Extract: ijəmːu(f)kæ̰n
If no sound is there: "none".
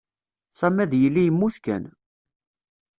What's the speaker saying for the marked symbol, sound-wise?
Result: θ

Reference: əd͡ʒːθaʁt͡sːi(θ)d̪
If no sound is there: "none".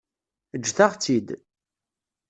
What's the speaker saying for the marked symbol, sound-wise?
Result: none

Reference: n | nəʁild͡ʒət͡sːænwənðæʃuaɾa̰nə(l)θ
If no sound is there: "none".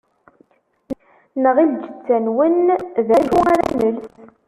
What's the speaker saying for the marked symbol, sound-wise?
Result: l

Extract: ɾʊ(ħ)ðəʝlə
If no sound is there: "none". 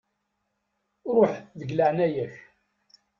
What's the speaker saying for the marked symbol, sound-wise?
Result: ħ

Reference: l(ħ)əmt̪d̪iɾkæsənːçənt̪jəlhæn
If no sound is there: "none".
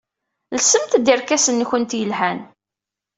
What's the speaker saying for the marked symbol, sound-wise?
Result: s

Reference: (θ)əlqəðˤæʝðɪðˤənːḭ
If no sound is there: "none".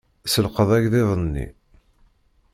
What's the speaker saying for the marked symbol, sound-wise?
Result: s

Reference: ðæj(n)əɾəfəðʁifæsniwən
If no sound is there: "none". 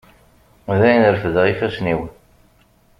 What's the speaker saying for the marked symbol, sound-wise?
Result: n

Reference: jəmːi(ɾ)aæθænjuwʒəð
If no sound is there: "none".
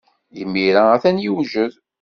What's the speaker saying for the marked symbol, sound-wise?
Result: ɾ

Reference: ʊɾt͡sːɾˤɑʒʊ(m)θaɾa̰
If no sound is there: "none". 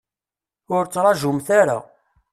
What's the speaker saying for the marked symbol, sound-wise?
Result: m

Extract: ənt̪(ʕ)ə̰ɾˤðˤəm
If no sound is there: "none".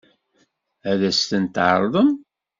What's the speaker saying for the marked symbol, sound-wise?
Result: ʕ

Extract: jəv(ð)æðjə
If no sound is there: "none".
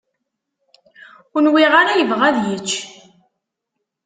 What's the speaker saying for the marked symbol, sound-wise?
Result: ʁ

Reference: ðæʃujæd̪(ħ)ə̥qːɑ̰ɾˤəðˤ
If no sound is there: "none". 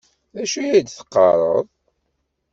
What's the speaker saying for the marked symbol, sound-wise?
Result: θ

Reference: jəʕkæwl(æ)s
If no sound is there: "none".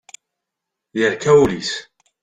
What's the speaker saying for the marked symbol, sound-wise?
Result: i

